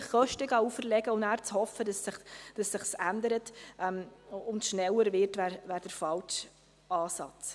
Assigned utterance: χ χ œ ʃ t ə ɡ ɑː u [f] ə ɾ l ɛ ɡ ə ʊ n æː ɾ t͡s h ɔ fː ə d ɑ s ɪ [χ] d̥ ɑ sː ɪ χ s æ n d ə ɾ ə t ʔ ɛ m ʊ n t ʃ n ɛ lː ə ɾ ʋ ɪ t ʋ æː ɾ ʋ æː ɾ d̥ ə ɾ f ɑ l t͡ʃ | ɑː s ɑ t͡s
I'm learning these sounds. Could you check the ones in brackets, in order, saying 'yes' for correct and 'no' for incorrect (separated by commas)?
yes, yes